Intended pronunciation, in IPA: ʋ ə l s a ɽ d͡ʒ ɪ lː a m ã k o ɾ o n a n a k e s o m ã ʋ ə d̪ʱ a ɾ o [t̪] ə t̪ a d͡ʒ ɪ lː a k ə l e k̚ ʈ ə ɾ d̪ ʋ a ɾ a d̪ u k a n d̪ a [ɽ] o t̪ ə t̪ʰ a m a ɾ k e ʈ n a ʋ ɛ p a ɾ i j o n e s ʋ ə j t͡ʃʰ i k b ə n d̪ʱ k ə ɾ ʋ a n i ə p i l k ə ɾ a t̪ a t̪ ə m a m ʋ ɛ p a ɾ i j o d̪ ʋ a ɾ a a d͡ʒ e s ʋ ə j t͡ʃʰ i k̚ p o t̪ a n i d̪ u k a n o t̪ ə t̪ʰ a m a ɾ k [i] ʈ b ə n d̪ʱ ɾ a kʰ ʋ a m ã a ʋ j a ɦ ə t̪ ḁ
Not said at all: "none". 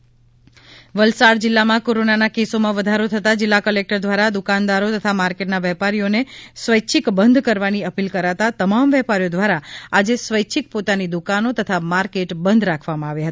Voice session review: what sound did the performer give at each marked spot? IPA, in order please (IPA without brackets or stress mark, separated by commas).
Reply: t̪ʰ, ɾ, e